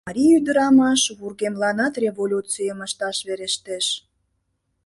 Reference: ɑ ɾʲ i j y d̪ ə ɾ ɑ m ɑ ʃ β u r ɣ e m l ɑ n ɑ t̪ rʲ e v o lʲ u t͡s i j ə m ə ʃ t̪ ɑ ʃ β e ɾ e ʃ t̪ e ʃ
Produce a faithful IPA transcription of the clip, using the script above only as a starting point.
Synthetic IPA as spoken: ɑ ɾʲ i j y d̪ ə ɾ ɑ m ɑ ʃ β u r ɣ e m l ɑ n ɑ t̪ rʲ e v o lʲ u t͡s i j ə m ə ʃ t̪ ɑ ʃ β e ɾ e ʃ t̪ e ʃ

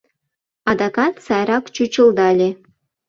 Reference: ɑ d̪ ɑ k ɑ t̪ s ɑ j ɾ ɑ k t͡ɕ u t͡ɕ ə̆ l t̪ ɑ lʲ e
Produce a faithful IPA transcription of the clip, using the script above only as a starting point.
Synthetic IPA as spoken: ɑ d̪ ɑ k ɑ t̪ s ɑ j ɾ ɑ k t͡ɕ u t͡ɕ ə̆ l d̪ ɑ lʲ e

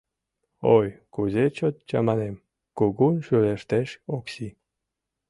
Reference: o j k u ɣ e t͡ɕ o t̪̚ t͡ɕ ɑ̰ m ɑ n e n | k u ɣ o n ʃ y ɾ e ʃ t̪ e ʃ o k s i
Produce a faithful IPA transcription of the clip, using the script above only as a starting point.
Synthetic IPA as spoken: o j k u z e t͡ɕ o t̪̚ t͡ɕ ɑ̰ m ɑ n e m | k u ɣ u n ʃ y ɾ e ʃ t̪ e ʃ o k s i

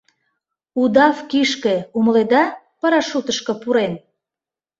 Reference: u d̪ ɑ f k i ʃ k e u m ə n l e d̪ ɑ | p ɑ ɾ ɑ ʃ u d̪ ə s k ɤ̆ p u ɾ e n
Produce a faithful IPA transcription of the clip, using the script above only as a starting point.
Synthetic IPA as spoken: u d̪ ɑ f k i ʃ k e u m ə l e d̪ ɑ | p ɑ ɾ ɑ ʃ u t̪ ə ʃ k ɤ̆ p u ɾ e n

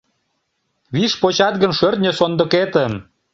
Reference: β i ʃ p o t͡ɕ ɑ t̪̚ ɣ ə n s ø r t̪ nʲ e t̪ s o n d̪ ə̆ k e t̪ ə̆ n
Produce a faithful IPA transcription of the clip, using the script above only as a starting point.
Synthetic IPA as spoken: β i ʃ p o t͡ɕ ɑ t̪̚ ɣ ə n ʃ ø r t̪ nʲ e s o n d̪ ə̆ k e t̪ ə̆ m

